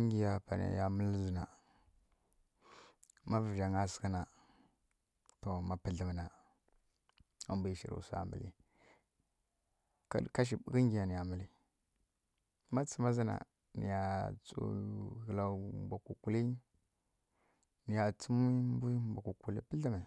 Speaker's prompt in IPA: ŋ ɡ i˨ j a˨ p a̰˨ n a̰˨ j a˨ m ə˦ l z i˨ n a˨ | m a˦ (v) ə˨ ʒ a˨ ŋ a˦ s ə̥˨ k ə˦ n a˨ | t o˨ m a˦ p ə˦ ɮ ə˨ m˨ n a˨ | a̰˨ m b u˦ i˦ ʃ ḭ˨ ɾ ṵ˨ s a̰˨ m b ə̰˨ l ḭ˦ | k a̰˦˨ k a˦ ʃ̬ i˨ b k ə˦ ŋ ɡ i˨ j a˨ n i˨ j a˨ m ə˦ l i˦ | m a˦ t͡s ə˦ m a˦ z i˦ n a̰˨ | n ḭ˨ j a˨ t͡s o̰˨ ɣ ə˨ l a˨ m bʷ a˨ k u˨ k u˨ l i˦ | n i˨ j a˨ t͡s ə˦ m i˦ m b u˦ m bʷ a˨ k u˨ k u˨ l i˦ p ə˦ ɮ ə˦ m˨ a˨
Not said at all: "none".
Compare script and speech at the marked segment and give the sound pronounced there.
v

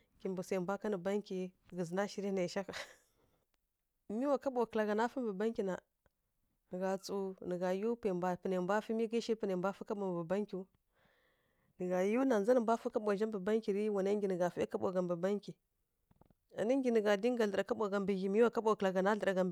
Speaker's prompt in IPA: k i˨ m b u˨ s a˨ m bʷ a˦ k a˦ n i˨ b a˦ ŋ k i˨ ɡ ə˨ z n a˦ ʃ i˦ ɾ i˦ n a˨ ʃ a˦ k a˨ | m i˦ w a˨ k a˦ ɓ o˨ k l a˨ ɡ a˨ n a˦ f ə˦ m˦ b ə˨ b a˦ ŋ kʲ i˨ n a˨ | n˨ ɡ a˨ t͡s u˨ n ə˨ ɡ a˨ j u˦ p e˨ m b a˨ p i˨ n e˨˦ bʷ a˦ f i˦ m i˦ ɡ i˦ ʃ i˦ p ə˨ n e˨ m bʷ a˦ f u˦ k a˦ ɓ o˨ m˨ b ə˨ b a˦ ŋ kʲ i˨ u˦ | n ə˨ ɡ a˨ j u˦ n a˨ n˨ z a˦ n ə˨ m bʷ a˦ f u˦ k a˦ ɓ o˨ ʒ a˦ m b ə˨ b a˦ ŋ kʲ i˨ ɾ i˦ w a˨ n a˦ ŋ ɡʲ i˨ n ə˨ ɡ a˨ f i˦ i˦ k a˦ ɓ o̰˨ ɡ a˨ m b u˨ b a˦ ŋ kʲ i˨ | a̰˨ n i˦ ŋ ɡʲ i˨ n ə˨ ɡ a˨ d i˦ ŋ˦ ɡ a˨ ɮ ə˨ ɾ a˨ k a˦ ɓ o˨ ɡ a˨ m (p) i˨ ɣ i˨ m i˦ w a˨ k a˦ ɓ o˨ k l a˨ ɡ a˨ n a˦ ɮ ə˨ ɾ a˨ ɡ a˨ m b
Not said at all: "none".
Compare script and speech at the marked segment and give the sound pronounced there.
b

